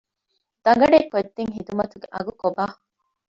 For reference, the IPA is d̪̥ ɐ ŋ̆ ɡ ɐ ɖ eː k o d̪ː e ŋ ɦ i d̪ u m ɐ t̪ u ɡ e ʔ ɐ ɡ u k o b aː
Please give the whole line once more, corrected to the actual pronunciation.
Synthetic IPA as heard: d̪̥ ɐ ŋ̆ ɡ ɐ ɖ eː k o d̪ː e ŋ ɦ i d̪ u m ɐ t̪ u ɡ e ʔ ɐ ɡ u k o b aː